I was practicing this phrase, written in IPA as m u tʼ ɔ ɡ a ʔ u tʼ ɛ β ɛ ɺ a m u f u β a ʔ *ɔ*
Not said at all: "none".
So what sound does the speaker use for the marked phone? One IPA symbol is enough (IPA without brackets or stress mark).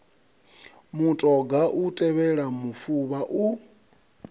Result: u